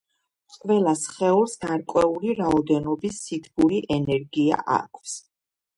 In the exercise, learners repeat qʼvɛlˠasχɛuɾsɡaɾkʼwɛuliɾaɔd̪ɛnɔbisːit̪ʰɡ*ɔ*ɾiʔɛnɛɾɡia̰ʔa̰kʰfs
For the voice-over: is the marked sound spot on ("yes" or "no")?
no